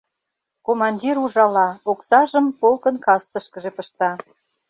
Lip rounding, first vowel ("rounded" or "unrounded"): rounded